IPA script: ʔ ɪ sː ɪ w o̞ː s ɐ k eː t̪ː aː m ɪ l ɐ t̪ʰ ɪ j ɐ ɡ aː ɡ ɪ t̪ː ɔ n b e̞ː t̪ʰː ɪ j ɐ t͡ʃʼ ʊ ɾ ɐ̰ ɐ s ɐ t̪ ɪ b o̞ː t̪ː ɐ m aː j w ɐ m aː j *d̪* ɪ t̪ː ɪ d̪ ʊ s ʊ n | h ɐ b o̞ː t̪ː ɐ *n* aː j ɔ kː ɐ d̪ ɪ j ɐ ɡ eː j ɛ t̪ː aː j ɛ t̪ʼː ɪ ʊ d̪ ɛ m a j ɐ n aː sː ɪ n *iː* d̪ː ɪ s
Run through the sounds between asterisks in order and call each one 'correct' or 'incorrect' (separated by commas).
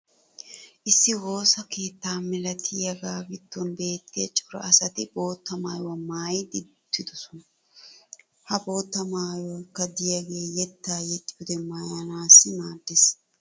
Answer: correct, incorrect, incorrect